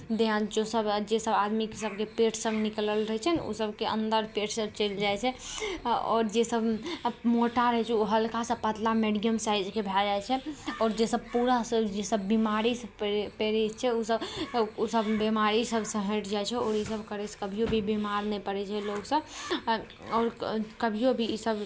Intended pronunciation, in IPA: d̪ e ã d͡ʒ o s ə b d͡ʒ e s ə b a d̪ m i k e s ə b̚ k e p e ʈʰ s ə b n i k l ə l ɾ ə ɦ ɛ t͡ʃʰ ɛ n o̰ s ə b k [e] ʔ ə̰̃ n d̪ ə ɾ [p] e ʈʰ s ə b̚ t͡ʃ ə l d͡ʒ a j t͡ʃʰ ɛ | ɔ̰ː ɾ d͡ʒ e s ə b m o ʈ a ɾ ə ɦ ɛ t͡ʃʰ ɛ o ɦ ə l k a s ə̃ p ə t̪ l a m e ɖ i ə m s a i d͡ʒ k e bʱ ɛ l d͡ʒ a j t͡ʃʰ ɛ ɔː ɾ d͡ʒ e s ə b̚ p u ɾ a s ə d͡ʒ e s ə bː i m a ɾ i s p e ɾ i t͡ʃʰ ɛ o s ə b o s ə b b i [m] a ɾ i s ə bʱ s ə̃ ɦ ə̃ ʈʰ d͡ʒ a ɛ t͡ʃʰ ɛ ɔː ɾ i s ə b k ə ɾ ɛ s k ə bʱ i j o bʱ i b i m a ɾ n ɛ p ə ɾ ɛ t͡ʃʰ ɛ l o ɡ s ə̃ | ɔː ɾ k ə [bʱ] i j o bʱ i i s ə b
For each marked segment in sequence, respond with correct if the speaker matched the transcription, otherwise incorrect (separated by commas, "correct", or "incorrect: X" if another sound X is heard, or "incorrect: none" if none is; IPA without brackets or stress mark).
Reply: correct, correct, correct, correct